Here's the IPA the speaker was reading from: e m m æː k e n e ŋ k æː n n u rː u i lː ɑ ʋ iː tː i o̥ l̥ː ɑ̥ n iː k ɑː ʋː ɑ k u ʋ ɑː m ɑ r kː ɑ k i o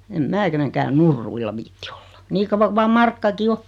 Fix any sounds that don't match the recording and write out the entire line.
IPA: e m m æː k e n e ŋ k æː n n u rː u i lː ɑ ʋ iː tː i o̥ l̥ː ɑ̥ n iː k ɑ ʋː ɑ k u ʋ ɑː m ɑ r kː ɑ k i o